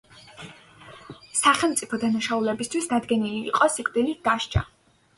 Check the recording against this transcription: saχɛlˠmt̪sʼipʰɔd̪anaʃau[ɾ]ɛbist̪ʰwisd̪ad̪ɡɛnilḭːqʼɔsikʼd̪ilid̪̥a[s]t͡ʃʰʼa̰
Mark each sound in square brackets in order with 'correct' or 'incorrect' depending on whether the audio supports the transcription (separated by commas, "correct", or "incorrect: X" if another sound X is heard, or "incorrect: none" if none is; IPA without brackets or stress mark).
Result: incorrect: l, incorrect: ʃ